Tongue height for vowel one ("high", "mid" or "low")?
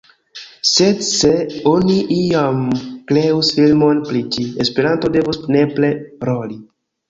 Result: mid